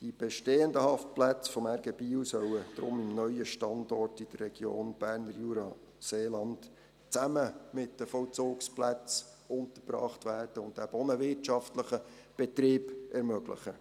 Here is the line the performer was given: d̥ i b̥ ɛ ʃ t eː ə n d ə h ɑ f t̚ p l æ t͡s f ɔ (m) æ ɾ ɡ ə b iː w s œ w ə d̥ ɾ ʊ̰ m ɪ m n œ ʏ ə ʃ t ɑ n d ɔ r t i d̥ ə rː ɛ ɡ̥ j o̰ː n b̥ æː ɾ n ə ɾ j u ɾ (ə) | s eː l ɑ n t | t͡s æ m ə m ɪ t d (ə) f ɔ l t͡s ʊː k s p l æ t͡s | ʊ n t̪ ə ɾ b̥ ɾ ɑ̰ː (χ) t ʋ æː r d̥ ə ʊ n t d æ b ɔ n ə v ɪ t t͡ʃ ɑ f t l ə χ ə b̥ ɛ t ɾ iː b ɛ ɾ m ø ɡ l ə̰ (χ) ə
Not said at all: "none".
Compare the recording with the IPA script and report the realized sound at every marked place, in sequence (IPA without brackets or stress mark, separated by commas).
m, ɑ, ə, χ, χ